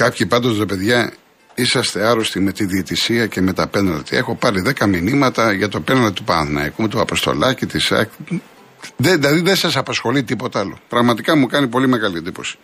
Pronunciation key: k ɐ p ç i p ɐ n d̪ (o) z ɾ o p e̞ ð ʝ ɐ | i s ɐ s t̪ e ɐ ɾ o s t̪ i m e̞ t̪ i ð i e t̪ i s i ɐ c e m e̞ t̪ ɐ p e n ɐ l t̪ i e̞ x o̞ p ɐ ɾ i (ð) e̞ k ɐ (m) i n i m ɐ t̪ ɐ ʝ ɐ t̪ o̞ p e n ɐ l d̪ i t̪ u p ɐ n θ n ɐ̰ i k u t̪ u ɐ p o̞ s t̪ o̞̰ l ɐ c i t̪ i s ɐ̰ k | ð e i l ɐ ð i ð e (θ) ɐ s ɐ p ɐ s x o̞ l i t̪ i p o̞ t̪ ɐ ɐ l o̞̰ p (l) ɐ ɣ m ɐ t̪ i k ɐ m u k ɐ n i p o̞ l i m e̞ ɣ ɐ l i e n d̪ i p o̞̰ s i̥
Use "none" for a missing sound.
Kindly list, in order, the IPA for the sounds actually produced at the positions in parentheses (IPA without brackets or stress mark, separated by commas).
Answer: o, ð, m, s, ɾ